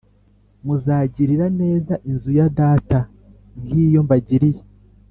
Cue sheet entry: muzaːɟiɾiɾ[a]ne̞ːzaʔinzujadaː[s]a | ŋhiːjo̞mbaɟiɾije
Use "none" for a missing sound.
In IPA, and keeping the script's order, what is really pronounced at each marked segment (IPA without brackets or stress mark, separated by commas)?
a, t